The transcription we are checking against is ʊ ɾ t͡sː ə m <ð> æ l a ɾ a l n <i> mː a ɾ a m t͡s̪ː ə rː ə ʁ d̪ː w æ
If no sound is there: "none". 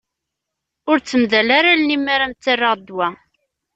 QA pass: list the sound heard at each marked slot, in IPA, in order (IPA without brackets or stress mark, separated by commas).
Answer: ð, i